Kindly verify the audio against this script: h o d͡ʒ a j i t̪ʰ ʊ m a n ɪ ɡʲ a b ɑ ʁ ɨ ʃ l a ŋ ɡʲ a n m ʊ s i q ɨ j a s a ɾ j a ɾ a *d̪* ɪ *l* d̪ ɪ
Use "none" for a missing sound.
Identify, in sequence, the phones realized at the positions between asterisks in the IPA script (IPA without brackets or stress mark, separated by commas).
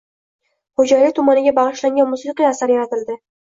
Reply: t̪, l